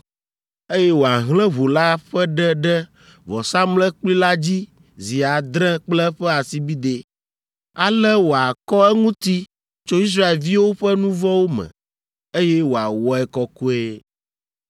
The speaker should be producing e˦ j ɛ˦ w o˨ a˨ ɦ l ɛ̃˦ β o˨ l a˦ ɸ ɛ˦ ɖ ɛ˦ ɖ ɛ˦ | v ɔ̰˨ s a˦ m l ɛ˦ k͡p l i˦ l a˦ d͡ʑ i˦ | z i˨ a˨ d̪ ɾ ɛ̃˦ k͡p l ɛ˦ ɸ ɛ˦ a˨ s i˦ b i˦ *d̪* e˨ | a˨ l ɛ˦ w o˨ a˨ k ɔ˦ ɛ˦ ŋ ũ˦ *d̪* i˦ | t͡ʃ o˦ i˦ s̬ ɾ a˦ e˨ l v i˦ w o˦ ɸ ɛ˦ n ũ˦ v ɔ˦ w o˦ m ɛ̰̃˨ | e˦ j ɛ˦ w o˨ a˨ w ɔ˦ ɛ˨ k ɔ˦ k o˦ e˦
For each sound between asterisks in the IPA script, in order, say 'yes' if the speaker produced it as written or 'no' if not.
yes, no

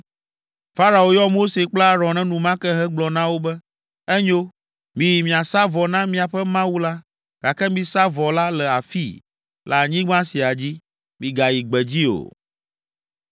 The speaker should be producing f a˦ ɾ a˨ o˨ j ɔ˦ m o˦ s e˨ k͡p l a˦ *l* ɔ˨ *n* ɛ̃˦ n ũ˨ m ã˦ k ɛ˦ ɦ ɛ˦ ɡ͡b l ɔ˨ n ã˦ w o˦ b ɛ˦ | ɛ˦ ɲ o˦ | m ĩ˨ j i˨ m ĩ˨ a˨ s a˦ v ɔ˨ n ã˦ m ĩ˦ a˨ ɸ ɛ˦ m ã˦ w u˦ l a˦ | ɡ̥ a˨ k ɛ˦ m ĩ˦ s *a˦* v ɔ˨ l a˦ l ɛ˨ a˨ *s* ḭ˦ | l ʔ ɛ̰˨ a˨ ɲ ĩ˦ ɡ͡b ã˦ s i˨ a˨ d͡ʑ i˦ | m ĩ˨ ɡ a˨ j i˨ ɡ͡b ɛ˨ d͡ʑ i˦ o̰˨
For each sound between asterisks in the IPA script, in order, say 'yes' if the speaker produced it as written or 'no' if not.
no, yes, yes, no

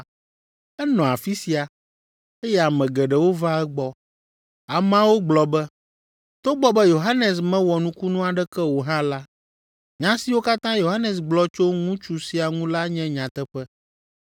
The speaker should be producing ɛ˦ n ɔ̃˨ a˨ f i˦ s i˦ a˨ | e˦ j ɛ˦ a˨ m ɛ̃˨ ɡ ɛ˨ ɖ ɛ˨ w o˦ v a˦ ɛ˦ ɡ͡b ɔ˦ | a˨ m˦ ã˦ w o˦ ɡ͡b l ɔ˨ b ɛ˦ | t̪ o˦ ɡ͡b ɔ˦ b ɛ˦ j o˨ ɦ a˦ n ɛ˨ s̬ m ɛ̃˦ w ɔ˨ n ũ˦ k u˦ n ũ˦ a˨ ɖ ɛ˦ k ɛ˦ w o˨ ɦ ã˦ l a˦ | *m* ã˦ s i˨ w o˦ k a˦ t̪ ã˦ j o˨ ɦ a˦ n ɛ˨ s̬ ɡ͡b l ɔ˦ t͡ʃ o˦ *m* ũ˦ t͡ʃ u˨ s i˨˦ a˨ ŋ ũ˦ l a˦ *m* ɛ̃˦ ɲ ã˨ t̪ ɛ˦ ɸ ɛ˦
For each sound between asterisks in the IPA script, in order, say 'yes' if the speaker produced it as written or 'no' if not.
no, no, no

